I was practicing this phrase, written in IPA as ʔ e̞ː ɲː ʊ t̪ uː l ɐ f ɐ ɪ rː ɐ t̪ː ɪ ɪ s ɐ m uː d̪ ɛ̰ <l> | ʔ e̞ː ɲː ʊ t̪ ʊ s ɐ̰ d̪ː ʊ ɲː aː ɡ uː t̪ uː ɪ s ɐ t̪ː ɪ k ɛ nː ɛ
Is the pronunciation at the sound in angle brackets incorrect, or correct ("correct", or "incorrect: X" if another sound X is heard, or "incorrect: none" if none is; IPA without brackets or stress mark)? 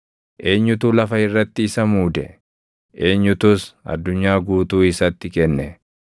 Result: incorrect: none